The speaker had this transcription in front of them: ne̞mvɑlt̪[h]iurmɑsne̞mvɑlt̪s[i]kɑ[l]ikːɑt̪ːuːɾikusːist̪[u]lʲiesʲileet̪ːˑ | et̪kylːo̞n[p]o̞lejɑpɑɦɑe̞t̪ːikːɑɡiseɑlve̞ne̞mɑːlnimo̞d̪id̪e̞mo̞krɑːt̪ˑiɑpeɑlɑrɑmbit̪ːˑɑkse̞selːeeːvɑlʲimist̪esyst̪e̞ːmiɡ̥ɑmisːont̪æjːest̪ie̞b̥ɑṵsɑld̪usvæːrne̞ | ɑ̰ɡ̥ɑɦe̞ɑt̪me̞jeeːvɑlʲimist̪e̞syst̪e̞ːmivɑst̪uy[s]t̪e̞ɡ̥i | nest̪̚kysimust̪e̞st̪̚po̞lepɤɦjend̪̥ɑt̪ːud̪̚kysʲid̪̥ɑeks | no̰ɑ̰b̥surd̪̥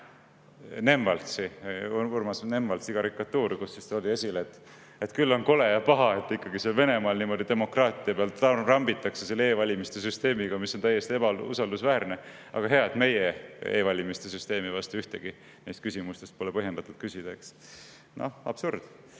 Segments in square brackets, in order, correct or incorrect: incorrect: s, correct, incorrect: ɾ, incorrect: o, incorrect: k, incorrect: h

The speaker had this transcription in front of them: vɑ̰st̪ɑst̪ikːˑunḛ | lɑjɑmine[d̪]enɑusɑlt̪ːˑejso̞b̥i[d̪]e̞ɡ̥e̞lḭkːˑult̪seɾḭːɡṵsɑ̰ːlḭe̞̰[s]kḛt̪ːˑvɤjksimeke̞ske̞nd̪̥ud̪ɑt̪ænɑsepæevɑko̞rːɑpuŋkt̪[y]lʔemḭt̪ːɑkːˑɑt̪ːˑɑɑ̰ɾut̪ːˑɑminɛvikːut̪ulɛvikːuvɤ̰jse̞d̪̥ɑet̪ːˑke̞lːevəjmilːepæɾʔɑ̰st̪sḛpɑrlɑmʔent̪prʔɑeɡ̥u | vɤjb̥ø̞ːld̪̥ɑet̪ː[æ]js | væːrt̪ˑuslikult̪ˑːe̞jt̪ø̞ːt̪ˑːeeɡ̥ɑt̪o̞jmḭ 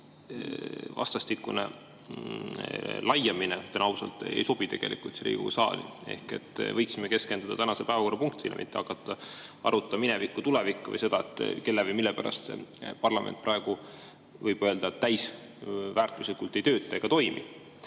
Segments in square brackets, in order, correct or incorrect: incorrect: t̪, incorrect: t̪, incorrect: h, incorrect: i, correct

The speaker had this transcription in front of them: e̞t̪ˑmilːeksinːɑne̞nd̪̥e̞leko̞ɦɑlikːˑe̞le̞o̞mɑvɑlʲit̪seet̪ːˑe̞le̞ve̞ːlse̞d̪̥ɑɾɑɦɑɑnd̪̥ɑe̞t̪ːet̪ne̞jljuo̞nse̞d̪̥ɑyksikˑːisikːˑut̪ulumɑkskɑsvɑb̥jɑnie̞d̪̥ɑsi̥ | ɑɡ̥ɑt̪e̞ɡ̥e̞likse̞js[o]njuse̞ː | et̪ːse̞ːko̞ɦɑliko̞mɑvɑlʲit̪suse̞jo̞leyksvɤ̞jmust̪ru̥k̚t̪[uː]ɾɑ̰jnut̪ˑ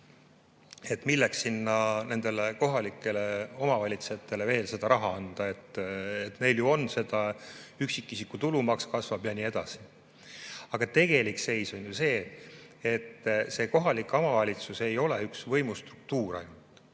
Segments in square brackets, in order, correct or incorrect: correct, correct

